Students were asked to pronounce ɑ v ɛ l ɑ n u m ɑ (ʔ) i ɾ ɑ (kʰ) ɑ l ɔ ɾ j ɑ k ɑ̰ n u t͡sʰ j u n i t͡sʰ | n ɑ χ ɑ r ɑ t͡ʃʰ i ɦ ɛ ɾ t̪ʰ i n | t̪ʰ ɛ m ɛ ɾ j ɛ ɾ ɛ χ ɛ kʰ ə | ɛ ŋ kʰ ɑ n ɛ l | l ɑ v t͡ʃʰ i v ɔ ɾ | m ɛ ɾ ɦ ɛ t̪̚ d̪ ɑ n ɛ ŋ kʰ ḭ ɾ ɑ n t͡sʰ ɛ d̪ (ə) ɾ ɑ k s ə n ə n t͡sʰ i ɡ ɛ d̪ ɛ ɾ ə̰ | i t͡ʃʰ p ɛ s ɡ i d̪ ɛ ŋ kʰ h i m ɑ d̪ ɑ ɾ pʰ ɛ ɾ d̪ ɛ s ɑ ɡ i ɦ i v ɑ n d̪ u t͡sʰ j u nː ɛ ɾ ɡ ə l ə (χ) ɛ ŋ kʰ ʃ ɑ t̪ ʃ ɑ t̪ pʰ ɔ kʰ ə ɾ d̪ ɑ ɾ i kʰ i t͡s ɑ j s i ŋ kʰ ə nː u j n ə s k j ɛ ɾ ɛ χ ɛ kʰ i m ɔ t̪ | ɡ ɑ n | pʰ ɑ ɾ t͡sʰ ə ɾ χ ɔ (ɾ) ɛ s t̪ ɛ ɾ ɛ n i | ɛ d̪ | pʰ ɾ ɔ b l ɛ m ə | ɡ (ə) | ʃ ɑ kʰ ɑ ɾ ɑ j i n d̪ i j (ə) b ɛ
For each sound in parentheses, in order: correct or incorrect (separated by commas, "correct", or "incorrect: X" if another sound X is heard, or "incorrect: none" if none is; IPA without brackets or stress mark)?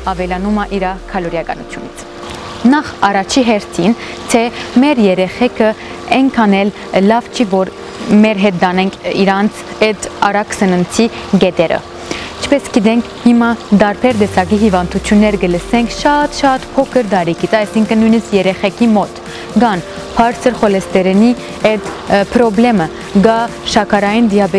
correct, correct, incorrect: ɑ, incorrect: s, incorrect: l, incorrect: ɑ, incorrect: ɑ